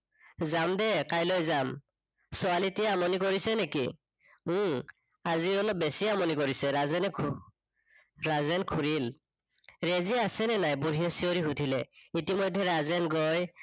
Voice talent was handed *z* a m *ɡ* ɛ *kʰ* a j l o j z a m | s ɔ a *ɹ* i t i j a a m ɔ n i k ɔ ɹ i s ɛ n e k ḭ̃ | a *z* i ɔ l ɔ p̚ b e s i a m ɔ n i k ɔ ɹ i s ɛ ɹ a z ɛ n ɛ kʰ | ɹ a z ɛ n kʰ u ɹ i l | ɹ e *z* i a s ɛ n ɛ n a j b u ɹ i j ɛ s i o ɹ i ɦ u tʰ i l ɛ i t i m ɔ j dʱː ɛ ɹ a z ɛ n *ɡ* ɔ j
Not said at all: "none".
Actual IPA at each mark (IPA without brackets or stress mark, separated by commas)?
z, d, k, l, z, z, ɡ